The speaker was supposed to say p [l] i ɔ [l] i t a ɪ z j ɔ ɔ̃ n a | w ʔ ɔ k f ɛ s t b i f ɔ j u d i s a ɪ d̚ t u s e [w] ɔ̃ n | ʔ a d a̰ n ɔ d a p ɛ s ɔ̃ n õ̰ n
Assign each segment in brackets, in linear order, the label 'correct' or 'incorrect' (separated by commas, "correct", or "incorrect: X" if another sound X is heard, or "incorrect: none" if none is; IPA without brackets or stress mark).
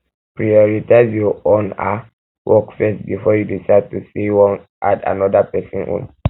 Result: incorrect: ɹ, incorrect: ɹ, correct